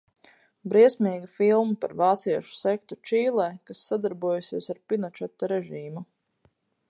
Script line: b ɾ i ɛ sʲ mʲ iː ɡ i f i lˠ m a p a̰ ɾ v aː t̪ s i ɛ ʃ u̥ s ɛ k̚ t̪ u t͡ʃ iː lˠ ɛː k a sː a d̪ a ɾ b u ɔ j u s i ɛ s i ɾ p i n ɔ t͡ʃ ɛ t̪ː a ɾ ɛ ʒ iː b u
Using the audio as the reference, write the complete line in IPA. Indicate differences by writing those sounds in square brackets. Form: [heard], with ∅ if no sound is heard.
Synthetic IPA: b ɾ i ɛ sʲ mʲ iː ɡ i f i lˠ m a p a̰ ɾ v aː t̪ s i ɛ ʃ u̥ s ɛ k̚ t̪ u t͡ʃ iː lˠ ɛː k a sː a d̪ a ɾ b u ɔ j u s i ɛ s [a] ɾ p i n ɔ t͡ʃ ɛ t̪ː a ɾ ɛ ʒ iː [m] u

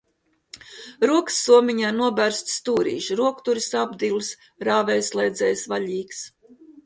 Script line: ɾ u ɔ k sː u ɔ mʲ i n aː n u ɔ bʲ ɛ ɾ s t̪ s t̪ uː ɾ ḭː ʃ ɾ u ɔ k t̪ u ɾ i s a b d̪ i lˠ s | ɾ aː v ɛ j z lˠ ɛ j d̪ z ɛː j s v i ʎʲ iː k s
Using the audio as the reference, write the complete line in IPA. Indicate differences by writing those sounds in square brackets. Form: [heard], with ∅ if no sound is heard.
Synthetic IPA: ɾ u ɔ k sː u ɔ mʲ i [ɲ] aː n u ɔ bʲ [æ] ɾ s t̪ s t̪ uː ɾ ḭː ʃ ɾ u ɔ k t̪ u ɾ i s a b d̪ i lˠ s | ɾ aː v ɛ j [s] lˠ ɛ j d̪ z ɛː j s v [a] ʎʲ iː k s

